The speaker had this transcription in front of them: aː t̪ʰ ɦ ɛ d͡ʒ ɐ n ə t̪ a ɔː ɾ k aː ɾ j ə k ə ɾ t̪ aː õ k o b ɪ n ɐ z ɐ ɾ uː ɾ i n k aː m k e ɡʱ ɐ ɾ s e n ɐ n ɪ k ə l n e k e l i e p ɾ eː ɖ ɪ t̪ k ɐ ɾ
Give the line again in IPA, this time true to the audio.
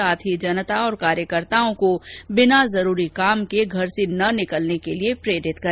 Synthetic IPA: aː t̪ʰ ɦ i d͡ʒ ɐ n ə t̪ a ɔː ɾ k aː ɾ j ə k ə ɾ t̪ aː õ k o b ɪ n a z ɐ ɾ uː ɾ i k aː m k e ɡʱ ɐ ɾ s e n ɐ n ɪ k ə l n e k e l i e p ɾ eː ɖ ɪ t̪ k ɐ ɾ